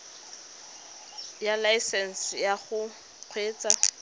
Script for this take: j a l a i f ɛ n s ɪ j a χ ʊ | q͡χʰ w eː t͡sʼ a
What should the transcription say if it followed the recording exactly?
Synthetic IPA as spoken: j a l a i s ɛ n s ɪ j a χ ʊ | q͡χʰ w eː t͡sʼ a